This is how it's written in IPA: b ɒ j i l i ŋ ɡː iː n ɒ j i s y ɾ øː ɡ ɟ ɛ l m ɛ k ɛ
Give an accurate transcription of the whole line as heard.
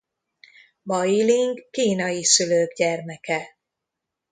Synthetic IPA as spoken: b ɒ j i l i ŋ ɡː iː n ɒ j i s y l øː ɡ ɟ ɛ r m ɛ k ɛ